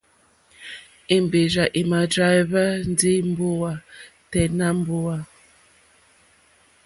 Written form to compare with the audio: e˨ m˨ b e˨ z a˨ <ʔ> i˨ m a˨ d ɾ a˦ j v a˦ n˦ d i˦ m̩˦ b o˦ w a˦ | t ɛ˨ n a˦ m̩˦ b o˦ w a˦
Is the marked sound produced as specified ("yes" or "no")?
yes